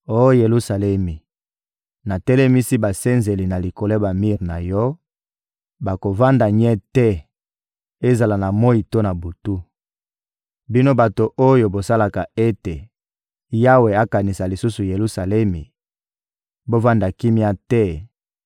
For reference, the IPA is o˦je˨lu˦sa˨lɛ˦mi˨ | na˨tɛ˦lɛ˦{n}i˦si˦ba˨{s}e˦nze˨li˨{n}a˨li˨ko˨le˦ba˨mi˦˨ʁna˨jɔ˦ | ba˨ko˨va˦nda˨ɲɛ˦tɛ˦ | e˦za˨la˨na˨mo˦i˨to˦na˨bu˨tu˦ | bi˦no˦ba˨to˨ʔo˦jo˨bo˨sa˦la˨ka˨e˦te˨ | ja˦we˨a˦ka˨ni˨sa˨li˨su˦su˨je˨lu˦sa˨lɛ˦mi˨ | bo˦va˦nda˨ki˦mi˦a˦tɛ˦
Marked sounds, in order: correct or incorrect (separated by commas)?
incorrect, correct, correct